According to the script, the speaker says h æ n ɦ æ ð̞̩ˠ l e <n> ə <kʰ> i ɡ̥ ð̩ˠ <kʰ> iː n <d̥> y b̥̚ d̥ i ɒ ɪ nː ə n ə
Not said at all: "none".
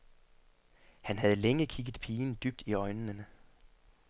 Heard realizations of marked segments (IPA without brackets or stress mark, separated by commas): ŋ, kʰ, pʰ, d̥